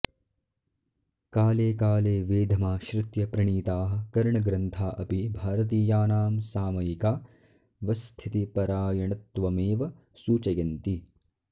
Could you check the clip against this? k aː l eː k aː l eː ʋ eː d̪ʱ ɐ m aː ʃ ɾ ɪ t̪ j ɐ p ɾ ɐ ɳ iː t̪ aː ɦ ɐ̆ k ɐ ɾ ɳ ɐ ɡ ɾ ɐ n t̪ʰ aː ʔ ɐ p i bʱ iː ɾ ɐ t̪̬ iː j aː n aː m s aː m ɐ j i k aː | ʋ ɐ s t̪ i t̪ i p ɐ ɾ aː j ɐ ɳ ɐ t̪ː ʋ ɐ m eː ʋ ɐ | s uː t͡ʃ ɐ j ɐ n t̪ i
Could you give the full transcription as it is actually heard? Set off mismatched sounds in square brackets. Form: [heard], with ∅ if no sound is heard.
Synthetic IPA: k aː l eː k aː l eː ʋ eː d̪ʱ ɐ m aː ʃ ɾ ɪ t̪ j ɐ p ɾ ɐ ɳ iː t̪ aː ɦ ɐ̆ k ɐ ɾ ɳ ɐ ɡ ɾ ɐ n t̪ʰ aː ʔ ɐ p i bʱ [aː] ɾ ɐ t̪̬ iː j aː n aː m s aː m ɐ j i k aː | ʋ ɐ s [t̪ʰ] i t̪ i p ɐ ɾ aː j ɐ ɳ ɐ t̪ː ʋ ɐ m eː ʋ ɐ | s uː t͡ʃ ɐ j ɐ n t̪ i